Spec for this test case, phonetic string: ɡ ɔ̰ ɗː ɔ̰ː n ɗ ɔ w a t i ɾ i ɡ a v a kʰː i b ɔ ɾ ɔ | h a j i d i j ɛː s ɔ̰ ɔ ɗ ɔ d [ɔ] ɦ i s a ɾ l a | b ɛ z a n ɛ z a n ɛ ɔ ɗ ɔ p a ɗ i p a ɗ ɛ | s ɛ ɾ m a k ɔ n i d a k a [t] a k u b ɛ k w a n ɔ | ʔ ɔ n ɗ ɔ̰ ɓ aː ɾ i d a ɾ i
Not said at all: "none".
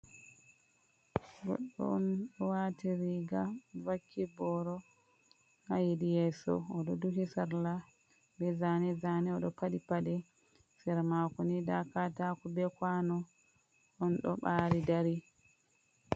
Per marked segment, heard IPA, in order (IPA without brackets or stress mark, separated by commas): u, t